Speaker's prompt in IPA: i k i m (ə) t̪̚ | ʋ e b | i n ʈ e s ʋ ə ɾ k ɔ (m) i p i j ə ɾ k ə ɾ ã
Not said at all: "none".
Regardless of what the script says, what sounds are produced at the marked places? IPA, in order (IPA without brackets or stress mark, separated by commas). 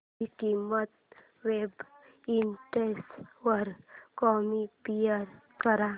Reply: ə, m